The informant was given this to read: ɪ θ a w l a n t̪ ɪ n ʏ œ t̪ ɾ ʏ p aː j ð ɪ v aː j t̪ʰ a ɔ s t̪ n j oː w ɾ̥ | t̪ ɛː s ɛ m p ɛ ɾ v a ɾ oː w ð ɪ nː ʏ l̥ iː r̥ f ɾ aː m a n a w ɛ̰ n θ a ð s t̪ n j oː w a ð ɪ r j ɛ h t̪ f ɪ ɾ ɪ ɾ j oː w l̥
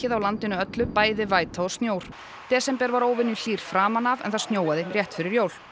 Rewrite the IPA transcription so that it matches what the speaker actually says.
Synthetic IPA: ɪ ð a w l a n t̪ ɪ n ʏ œ t̪ l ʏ p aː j ð ɪ v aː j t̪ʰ a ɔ s t̪ n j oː w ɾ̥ | t̪ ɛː s ɛ m p ɛ ɾ v a ɾ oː w v ɪ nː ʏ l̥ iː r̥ f ɾ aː m a n a v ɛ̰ n θ a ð s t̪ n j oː w a ð ɪ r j ɛ h t̪ f ɪ ɾ ɪ ɾ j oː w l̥